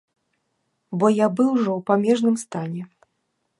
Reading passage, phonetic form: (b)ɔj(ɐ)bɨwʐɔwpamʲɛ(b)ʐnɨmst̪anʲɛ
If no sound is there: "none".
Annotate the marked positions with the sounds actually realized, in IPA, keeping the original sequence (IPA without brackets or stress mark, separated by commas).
b, a, none